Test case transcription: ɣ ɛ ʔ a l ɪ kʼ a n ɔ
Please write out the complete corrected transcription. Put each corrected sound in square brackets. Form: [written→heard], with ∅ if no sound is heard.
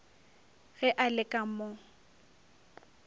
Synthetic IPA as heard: ɣ ɛ ʔ a l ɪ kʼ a [n→m] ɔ